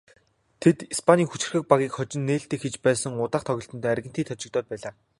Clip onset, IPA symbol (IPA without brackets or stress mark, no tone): t̪ʰ